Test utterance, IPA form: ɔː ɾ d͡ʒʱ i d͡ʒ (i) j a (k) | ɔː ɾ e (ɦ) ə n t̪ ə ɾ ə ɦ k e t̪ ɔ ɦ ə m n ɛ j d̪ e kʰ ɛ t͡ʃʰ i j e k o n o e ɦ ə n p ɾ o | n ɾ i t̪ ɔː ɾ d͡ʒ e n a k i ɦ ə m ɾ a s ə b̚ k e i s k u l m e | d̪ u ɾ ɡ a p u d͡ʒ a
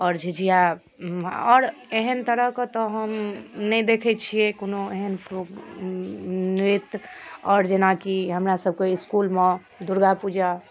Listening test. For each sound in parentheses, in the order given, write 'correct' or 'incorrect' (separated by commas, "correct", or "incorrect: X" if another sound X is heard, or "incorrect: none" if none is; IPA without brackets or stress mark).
correct, incorrect: none, correct